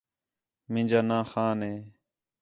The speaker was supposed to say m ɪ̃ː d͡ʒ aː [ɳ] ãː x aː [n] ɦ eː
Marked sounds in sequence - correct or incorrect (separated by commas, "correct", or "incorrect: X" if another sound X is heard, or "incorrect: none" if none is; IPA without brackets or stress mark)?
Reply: incorrect: n, correct